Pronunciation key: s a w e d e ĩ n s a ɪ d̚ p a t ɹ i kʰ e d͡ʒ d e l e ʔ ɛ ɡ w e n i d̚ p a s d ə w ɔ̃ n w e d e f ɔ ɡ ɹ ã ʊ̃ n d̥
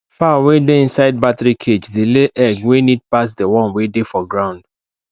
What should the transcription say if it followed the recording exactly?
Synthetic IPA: f a w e d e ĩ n s a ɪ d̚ b a t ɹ i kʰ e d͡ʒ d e l e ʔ ɛ ɡ w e n i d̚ p a s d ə w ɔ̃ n w e d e f ɔ ɡ ɹ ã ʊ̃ n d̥